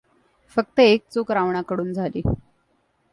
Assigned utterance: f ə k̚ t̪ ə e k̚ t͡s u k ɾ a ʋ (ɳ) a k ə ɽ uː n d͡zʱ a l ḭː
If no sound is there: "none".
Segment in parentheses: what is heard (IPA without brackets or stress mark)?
ɳ